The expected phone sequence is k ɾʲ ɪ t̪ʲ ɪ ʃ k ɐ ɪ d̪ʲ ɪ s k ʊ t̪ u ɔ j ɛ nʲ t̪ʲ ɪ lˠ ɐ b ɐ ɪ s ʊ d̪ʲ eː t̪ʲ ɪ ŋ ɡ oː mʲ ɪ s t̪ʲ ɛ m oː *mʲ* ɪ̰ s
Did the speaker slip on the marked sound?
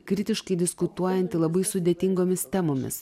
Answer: no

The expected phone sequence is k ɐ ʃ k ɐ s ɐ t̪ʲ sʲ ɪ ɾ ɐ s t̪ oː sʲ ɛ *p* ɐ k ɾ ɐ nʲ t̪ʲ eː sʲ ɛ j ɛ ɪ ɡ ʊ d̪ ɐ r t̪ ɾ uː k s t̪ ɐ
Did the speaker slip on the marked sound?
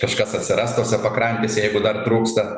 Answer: no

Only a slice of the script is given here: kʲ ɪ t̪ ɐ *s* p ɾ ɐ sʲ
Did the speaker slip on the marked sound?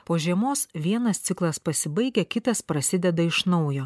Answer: no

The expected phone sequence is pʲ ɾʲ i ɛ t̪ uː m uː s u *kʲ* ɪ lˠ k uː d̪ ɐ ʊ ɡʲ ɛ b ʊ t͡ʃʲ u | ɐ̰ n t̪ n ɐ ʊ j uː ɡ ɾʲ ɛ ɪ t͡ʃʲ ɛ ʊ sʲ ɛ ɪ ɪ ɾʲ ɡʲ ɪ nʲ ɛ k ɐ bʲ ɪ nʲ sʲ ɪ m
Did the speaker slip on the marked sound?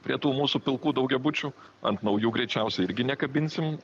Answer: yes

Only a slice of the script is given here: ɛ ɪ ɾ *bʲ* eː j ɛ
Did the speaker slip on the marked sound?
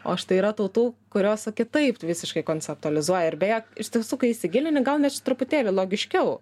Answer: no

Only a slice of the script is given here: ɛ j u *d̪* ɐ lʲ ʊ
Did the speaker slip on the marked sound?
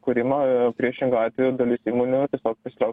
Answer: no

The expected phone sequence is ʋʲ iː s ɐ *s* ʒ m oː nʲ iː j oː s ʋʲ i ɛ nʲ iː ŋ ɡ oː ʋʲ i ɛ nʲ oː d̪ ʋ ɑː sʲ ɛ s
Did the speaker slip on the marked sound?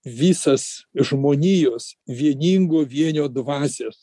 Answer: no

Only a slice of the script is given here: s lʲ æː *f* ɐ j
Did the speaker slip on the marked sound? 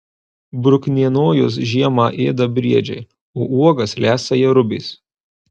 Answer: yes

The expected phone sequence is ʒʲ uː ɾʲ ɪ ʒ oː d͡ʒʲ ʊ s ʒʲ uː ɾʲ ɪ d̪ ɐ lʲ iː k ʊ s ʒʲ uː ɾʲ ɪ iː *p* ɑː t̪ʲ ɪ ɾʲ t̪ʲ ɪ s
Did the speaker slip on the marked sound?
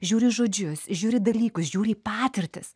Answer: no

